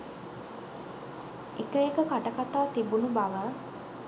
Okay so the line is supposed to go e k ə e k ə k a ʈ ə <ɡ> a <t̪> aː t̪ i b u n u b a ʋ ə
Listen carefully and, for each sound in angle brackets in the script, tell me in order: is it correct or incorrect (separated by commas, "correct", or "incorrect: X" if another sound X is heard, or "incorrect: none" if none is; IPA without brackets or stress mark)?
incorrect: k, correct